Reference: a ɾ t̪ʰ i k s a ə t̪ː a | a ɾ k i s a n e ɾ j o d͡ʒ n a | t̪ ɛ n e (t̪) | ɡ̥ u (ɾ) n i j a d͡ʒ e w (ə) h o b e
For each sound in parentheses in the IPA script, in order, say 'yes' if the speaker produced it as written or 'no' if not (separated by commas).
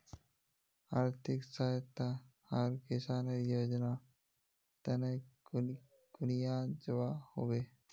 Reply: no, no, no